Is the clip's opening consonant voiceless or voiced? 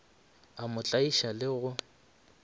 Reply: voiced